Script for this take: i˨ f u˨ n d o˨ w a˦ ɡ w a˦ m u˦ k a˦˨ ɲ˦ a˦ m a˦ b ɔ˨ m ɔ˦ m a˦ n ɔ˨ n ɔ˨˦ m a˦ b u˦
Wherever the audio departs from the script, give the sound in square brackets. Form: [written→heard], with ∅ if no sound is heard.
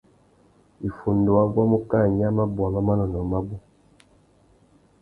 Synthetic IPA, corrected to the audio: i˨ f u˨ n d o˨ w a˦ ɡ w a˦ m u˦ k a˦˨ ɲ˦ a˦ m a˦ b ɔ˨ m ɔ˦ m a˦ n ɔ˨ n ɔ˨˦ m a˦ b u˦